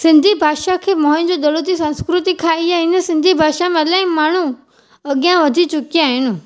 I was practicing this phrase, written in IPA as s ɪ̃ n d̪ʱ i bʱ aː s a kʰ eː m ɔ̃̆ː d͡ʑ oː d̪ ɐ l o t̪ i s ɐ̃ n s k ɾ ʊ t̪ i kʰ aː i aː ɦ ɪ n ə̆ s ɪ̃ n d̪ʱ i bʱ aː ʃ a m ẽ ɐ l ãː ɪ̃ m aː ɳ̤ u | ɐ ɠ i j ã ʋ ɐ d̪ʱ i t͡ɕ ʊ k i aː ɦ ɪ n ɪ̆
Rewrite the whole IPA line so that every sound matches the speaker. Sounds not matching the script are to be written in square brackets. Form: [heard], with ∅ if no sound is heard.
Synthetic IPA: s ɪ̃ n d̪ʱ i bʱ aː [ʃ] a kʰ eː m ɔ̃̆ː d͡ʑ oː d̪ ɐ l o t̪ i s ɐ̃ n s k ɾ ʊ t̪ i kʰ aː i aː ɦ ɪ n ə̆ s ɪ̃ n d̪ʱ i bʱ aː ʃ a m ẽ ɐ l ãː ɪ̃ m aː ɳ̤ u | ɐ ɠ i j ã ʋ ɐ d̪ʱ i t͡ɕ ʊ k i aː ɦ ɪ n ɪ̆